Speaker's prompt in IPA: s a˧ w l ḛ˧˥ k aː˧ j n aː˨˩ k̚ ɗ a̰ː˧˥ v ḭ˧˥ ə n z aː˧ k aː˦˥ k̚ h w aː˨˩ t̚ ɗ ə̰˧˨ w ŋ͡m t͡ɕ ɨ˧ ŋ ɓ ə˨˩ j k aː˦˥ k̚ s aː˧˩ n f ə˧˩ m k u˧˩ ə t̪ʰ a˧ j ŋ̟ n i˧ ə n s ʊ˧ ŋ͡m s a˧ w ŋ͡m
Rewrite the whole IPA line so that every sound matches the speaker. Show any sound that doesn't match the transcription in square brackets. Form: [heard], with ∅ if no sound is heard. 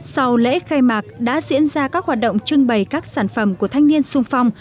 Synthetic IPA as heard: s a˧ w l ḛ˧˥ [x] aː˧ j [m] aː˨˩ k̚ ɗ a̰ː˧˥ [z] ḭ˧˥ ə n z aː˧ k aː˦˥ k̚ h w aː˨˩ t̚ ɗ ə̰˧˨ w ŋ͡m t͡ɕ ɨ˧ ŋ ɓ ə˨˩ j k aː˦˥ k̚ s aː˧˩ n f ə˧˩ m k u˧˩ ə t̪ʰ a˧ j ŋ̟ n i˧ ə n s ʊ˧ ŋ͡m [f] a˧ w ŋ͡m